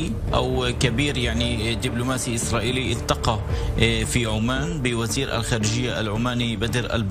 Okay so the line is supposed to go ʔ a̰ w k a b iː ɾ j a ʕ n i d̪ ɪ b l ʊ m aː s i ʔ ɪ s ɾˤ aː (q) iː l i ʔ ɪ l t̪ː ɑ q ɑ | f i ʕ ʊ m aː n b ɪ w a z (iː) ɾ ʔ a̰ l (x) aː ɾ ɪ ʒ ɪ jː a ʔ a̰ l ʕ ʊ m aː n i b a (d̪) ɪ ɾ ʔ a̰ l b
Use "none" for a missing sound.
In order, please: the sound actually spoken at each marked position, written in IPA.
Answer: ʔ, iː, x, d̪

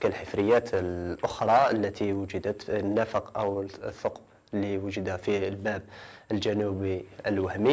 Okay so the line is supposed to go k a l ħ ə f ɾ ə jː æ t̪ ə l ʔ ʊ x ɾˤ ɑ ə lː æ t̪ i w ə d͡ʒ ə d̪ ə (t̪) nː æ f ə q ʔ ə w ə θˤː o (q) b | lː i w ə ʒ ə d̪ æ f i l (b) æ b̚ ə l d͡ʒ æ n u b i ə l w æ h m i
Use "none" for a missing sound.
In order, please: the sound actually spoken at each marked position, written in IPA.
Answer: t̪, q, b

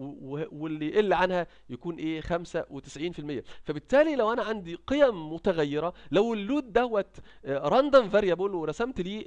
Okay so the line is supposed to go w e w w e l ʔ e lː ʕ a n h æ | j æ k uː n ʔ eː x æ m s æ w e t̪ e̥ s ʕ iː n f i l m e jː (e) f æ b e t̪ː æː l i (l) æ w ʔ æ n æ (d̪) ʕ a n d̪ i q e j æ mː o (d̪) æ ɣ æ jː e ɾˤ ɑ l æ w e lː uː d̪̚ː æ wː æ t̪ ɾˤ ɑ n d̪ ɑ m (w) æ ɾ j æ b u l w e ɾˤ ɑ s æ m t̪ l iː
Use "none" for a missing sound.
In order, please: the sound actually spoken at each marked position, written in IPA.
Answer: æ, l, none, t̪, v

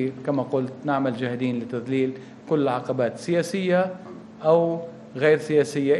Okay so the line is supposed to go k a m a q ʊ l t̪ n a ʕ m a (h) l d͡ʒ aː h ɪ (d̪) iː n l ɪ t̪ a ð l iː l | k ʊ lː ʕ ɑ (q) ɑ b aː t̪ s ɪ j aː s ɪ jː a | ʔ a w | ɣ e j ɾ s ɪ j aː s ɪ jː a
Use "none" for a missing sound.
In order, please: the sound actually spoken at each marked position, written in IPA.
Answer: none, d̪, q

